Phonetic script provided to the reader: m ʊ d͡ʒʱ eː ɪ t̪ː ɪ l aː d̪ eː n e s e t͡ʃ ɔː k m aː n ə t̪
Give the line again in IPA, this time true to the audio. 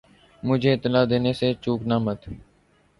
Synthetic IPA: m ʊ d͡ʒʱ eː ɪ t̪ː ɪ l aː d̪ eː n e s e t͡ʃ uː k n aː m ə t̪